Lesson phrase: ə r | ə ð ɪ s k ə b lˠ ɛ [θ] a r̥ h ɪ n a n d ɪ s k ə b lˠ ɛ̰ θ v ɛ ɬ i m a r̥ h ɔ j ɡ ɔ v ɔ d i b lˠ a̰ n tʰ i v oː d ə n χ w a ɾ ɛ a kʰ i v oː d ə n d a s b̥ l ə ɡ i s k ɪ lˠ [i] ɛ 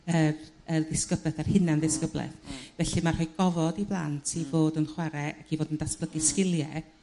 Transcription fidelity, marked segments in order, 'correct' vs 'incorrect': correct, incorrect: j

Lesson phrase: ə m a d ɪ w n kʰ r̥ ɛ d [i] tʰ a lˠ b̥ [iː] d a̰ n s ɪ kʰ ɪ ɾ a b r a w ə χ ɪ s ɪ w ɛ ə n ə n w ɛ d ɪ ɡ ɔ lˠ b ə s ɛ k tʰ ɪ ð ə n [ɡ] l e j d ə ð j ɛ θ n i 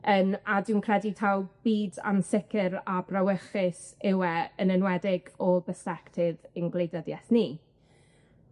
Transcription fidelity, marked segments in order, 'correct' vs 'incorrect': correct, correct, correct

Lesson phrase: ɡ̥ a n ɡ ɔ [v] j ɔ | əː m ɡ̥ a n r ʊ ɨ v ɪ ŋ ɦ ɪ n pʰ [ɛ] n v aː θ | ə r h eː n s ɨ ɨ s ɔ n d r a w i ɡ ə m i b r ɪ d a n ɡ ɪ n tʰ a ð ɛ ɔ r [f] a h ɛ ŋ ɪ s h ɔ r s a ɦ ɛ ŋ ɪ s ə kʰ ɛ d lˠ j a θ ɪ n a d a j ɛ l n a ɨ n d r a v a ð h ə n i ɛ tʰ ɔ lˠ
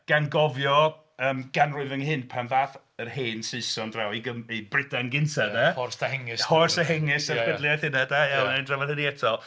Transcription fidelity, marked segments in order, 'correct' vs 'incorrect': correct, incorrect: a, incorrect: s

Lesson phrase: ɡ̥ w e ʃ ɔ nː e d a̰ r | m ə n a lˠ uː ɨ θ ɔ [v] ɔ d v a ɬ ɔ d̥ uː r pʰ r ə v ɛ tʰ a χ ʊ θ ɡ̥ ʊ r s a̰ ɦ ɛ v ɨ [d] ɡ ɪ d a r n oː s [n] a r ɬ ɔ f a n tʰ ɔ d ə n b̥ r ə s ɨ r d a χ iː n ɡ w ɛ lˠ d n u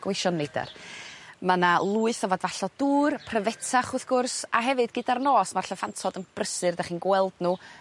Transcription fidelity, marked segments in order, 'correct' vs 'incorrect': correct, correct, incorrect: m

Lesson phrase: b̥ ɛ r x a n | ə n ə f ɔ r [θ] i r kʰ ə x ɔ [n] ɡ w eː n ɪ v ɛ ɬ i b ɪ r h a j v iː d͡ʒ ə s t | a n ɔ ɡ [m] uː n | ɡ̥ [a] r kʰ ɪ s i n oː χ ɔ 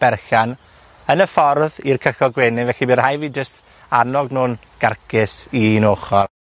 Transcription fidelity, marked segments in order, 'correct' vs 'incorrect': incorrect: ð, incorrect: none, incorrect: n, correct

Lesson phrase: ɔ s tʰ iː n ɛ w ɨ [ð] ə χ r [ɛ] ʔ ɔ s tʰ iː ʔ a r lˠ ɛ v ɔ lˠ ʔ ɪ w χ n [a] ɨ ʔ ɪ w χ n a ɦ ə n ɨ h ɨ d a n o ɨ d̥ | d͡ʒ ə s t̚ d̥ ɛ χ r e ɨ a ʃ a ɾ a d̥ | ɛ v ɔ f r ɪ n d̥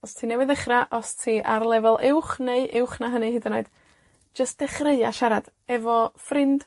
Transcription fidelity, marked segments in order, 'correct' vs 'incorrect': correct, incorrect: a, incorrect: e

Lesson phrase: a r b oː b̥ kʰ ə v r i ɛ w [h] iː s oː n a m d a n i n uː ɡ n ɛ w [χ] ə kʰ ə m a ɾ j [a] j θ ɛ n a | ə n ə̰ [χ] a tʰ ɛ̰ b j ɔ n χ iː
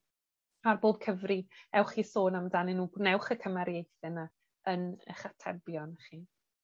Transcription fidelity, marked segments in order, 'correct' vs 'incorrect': incorrect: χ, correct, incorrect: e, correct

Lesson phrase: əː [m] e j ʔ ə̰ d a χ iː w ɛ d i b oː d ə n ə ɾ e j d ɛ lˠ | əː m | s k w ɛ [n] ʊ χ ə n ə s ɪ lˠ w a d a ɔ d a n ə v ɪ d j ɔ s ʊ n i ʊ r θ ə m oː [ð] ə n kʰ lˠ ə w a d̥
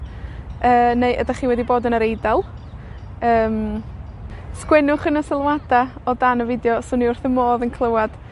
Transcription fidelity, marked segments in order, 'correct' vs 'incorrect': incorrect: n, correct, correct

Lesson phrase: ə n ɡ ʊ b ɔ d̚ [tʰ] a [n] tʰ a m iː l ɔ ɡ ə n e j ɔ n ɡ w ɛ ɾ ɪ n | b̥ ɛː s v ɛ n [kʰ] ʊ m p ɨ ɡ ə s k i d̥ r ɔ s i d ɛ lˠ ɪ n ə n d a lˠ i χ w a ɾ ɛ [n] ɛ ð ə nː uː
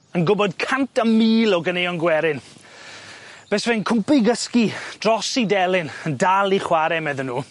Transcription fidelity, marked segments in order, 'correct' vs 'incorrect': incorrect: kʰ, correct, correct, incorrect: m

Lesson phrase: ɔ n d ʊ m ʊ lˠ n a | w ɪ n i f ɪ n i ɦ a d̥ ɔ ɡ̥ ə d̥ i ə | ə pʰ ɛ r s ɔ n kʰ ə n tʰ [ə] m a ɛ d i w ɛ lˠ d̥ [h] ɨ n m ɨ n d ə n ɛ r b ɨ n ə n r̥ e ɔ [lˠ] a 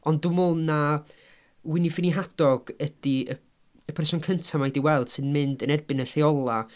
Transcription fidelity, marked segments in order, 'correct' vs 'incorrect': incorrect: a, incorrect: s, correct

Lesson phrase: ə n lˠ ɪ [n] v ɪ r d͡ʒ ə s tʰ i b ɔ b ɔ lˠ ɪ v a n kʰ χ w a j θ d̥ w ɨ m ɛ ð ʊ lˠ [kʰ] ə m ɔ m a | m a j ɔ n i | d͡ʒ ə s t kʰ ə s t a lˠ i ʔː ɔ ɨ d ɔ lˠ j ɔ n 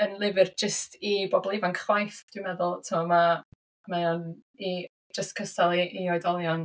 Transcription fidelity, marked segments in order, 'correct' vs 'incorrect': incorrect: none, incorrect: tʰ

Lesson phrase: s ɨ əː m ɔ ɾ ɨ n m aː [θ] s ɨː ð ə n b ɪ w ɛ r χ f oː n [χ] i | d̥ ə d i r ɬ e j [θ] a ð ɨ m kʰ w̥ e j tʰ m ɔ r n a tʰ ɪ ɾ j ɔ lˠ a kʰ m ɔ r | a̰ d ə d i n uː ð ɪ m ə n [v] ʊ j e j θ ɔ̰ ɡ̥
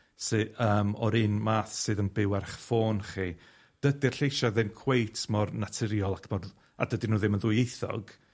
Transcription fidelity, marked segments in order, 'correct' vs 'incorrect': correct, correct, incorrect: ʃ, incorrect: ð

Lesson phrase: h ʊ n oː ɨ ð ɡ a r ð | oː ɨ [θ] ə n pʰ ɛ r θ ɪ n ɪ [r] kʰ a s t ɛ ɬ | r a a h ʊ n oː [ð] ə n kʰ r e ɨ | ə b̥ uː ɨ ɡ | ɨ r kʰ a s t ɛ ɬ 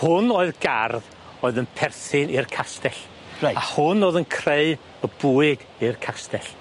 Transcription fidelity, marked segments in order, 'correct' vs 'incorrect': incorrect: ð, correct, correct

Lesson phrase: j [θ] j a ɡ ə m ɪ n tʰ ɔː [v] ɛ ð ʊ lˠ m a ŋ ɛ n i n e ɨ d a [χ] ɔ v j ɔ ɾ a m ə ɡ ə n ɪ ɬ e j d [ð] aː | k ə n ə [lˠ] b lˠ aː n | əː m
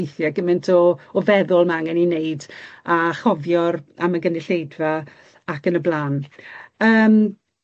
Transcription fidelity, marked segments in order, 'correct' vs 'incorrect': correct, correct, correct, incorrect: v, incorrect: none

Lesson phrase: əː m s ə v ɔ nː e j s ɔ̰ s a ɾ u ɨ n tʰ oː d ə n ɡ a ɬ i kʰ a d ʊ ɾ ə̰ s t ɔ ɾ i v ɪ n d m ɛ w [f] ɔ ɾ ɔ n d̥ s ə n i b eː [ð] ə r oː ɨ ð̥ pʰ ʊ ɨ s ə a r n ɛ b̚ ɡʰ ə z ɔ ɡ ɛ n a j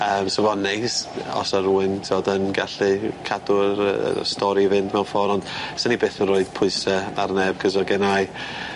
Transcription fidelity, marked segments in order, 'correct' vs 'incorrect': correct, incorrect: θ

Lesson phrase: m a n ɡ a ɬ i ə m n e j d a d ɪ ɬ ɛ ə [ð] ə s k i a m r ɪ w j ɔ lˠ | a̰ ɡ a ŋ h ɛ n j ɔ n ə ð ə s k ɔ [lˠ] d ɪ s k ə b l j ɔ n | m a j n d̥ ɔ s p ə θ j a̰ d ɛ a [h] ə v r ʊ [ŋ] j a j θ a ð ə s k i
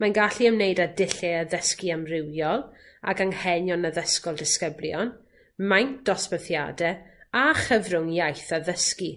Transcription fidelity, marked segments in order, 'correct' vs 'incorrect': correct, correct, incorrect: χ, correct

